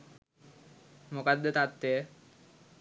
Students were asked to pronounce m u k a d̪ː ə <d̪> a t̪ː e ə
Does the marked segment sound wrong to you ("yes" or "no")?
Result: yes